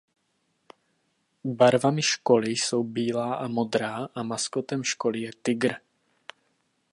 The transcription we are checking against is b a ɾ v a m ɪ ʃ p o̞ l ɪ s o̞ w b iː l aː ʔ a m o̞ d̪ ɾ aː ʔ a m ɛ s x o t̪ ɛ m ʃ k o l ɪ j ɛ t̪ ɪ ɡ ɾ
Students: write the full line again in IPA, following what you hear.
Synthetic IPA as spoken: b a ɾ v a m ɪ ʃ k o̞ l ɪ s o̞ w b iː l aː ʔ a m o̞ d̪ ɾ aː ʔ a m a s k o t̪ ɛ m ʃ k o l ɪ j ɛ t̪ ɪ ɡ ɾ